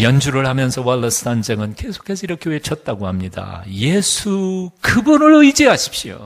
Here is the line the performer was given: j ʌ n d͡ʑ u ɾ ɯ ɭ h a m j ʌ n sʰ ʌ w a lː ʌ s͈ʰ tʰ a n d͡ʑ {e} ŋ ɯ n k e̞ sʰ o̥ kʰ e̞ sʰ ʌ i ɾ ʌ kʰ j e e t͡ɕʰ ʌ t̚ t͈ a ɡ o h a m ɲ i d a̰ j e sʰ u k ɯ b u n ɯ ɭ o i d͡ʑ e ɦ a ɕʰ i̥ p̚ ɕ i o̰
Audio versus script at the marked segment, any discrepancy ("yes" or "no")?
no